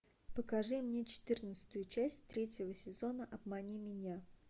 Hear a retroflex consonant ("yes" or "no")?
yes